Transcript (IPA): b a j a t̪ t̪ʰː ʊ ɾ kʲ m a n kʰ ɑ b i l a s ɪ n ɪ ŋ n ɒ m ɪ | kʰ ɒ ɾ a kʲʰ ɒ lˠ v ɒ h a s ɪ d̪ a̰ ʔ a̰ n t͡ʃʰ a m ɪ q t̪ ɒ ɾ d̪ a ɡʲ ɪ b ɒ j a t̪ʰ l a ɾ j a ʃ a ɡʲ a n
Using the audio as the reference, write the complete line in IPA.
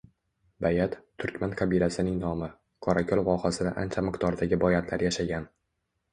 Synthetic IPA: b a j a t̪ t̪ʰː ʊ ɾ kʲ m a n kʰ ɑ b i l a s ɪ n ɪ ŋ n ɒ m ɪ | kʰ ɒ ɾ a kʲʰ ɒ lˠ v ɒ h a s ɪ d̪ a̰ ʔ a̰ n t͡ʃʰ a m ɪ q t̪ ɒ ɾ d̪ a ɡʲ ɪ b ɒ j a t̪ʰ l a ɾ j a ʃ a ɡʲ a n